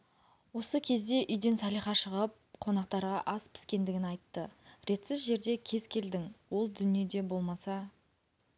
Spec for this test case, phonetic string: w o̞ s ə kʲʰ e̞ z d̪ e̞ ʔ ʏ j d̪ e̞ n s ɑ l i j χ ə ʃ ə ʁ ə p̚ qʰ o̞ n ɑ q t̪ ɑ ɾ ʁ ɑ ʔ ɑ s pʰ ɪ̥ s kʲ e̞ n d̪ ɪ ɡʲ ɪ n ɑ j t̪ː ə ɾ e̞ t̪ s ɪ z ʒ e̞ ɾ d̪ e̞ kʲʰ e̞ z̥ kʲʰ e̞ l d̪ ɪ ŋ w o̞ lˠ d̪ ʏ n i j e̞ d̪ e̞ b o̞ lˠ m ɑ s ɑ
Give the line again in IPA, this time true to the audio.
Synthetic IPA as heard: w o̞ s ə kʲʰ e̞ z d̪ e̞ ʔ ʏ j d̪ e̞ n s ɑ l i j χ ɑ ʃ ə ʁ ə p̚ qʰ o̞ n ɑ q t̪ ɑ ɾ ʁ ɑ ʔ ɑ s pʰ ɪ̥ s kʲ e̞ n d̪ ɪ ɡʲ ɪ n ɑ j t̪ː ə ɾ e̞ t̪ s ɪ z ʒ e̞ ɾ d̪ e̞ kʲʰ e̞ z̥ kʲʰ e̞ l d̪ ɪ ŋ w o̞ lˠ d̪ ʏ n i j e̞ d̪ e̞ b o̞ lˠ m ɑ s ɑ